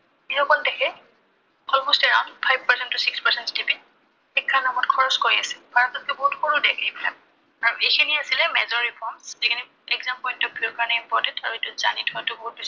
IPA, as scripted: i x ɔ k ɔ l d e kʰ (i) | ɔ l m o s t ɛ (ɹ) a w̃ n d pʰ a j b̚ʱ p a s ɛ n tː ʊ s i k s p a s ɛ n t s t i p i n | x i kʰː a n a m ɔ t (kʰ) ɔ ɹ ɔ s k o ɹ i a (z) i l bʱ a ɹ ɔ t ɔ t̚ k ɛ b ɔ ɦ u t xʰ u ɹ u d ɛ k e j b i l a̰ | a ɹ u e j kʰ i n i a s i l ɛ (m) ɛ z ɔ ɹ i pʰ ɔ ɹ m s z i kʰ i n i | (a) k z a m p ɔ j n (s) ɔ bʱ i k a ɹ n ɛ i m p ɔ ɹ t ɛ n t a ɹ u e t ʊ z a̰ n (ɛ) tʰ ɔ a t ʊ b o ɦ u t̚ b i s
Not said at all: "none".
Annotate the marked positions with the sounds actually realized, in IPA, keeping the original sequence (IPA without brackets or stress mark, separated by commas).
ɛ, ɹ, kʰ, s, m, ɛ, t, i